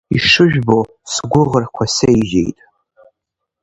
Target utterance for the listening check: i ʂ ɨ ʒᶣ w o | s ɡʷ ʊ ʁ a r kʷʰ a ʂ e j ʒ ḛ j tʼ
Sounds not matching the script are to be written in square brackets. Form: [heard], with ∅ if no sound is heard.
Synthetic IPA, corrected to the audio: i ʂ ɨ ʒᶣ [b] o | s ɡʷ ʊ ʁ [ə] r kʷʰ a [s] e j ʒ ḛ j tʼ